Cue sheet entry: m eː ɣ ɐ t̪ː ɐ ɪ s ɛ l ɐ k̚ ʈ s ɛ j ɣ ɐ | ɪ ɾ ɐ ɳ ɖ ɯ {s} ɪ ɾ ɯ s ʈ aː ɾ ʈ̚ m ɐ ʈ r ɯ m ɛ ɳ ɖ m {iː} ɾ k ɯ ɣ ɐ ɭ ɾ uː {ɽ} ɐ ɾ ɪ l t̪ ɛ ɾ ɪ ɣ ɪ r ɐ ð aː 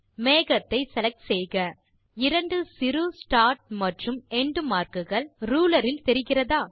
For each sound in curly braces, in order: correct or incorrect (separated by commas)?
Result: correct, incorrect, incorrect